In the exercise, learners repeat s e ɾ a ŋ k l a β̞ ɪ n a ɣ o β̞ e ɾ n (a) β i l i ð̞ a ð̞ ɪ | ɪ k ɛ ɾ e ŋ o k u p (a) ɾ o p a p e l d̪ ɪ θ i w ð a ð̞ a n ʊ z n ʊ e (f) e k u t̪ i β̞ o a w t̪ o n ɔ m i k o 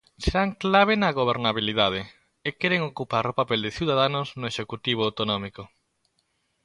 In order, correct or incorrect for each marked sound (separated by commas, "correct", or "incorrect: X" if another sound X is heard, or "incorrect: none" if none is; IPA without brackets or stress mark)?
correct, correct, incorrect: ʃ